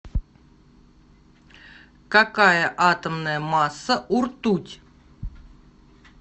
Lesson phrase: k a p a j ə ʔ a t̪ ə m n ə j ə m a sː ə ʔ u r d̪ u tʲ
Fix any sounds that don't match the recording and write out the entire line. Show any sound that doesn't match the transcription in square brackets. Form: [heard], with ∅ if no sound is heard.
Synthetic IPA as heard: k a [k] a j ə ʔ a t̪ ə m n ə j ə m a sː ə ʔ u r [t̪] u tʲ